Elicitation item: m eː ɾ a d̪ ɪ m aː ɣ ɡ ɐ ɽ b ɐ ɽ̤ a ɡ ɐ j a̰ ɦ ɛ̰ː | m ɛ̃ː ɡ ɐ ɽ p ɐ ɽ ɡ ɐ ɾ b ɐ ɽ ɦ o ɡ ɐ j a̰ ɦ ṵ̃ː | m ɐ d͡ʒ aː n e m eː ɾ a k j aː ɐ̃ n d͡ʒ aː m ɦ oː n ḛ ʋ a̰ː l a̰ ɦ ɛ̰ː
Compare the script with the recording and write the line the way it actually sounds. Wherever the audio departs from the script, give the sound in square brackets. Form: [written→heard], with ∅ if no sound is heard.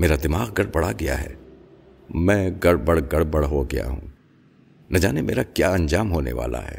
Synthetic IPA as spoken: m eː ɾ a d̪ ɪ m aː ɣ ɡ ɐ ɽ b ɐ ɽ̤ a ɡ ɐ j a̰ ɦ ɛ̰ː | m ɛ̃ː ɡ ɐ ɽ [p→b] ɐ ɽ ɡ ɐ [ɾ→ɽ] b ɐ ɽ ɦ o ɡ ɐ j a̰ ɦ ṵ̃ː | [m→n] ɐ d͡ʒ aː n e m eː ɾ a k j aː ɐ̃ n d͡ʒ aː m ɦ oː n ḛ ʋ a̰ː l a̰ ɦ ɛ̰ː